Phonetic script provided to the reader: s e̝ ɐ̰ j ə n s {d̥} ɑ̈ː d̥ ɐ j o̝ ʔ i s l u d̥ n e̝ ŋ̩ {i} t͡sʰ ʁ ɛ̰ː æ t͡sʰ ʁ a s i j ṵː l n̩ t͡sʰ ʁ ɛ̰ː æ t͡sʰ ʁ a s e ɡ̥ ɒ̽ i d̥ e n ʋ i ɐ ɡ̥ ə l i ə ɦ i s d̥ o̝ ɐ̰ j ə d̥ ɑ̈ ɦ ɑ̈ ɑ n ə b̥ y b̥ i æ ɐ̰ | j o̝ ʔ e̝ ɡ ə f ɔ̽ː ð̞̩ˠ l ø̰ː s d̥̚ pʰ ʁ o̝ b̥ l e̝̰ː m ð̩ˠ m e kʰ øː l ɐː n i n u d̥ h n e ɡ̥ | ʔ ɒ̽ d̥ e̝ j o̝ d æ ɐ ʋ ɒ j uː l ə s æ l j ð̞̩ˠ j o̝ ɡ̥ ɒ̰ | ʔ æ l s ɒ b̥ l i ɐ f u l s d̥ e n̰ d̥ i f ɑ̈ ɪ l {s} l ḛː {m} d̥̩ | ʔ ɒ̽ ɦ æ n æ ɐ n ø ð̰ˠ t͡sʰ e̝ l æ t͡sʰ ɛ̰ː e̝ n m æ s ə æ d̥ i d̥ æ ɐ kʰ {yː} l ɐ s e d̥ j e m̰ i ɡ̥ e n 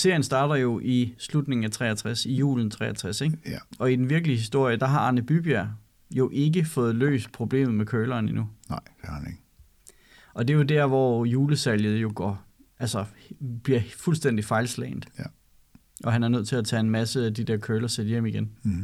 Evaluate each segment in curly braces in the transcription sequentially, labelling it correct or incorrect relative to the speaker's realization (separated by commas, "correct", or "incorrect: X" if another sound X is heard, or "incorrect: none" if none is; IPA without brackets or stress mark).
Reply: correct, incorrect: æ, correct, incorrect: n, incorrect: øː